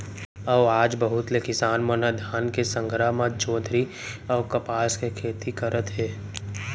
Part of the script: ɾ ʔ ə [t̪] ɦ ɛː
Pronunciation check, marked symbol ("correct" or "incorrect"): correct